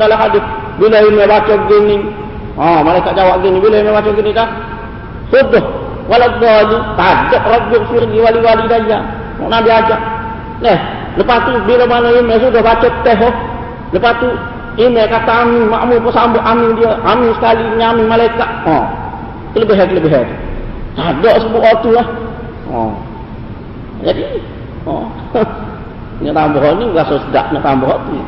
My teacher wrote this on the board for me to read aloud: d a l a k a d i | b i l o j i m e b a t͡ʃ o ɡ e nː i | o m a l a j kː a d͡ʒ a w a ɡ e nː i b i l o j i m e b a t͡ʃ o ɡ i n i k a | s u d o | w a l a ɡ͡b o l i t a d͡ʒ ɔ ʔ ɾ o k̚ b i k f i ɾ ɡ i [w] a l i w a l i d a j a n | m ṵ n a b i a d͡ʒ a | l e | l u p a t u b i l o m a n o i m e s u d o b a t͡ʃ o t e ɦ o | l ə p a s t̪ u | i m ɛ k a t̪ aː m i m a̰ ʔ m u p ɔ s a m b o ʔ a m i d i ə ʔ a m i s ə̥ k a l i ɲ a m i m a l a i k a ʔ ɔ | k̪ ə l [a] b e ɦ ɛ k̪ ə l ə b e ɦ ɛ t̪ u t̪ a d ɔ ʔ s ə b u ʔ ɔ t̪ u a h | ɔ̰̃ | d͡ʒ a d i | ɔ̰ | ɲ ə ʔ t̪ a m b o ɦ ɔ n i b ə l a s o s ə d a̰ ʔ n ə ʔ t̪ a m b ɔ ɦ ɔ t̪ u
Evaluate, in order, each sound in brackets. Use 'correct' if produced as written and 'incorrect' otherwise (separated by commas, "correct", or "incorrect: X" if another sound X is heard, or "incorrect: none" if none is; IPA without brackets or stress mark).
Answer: correct, incorrect: ə